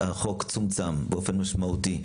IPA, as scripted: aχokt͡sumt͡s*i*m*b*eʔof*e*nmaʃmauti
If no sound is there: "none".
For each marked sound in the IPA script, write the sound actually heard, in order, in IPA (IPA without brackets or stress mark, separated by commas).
a, b, e